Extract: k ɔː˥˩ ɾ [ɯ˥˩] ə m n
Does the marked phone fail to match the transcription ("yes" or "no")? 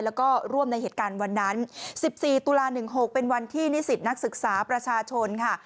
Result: yes